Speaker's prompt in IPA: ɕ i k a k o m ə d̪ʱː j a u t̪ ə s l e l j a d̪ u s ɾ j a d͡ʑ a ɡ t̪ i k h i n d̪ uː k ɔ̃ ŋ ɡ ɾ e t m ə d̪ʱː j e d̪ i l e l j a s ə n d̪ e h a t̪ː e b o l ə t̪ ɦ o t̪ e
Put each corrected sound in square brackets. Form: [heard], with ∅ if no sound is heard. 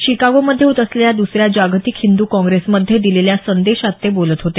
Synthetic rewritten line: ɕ i k a [ɡ] o m ə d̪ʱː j [e] u t̪ ə s l e l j a d̪ u s ɾ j a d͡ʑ a ɡ t̪ i k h i n d̪ uː k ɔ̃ ŋ ɡ ɾ e [s] m ə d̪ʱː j e d̪ i l e l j a s ə n d̪ e [ɕ] a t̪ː e b o l ə t̪ ɦ o t̪ e